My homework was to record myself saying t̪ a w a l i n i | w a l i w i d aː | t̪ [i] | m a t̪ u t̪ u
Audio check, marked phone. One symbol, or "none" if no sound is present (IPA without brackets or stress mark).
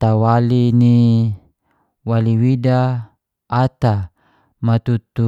a